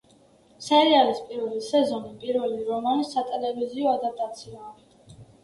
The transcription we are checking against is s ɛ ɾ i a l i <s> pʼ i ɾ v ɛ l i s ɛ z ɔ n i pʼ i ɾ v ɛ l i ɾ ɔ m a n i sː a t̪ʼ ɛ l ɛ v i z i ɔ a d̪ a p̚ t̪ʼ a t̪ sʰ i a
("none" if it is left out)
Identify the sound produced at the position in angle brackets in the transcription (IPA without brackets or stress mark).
s